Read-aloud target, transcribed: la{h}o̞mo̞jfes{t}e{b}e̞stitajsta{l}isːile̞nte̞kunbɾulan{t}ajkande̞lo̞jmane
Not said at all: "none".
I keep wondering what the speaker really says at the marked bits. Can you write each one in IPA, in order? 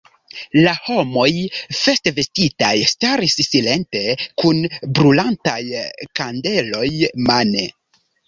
h, t, v, ɾ, t

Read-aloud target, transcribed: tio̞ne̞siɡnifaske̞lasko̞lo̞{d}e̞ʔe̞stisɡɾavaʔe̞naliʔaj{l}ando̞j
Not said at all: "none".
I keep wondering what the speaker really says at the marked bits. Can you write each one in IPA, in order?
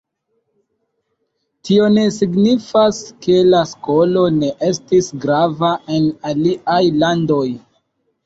n, l

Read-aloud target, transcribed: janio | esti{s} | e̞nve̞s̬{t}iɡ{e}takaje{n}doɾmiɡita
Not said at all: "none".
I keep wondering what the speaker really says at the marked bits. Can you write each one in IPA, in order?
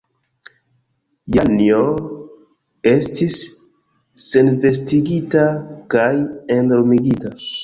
sː, t, i, n

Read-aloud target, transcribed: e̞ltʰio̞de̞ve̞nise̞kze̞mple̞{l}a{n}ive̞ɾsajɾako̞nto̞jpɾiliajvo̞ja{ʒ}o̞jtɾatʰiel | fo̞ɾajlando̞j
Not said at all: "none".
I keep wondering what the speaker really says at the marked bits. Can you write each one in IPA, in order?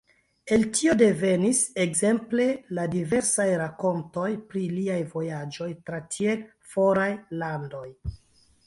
l, d, d͡ʒ

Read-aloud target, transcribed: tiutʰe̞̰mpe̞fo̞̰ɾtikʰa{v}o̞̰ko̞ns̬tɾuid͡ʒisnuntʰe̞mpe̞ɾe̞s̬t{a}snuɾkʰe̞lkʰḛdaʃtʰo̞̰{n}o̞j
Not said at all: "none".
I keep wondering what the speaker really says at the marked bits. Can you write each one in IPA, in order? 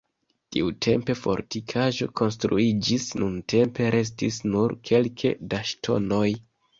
ʒ, i, n

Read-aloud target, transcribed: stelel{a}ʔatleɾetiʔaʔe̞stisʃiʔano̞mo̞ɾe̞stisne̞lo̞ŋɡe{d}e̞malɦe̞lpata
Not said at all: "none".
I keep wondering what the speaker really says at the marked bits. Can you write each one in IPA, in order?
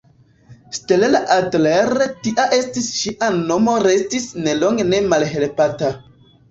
a, n

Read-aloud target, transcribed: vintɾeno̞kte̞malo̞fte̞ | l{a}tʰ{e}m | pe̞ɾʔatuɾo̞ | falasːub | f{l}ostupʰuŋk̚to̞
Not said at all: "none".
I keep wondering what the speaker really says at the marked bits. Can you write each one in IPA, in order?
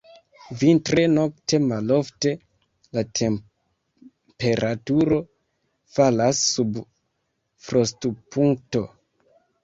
a, e, ɾ

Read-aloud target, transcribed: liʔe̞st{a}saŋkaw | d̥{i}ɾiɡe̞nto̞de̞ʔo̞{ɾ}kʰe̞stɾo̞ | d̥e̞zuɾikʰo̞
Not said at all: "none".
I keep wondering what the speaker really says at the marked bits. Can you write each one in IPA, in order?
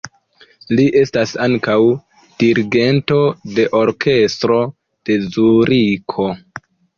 a, i, ɾ

